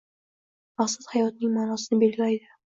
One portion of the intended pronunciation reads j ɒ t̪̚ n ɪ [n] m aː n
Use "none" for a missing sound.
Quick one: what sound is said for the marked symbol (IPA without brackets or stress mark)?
ŋ